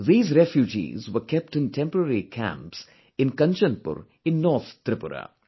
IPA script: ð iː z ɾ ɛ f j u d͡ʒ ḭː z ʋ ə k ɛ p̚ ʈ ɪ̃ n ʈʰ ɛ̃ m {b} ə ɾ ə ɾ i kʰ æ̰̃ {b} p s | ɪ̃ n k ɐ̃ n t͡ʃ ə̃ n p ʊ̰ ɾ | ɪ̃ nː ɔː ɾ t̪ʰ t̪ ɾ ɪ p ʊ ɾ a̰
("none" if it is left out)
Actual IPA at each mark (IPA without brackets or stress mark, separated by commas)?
p, m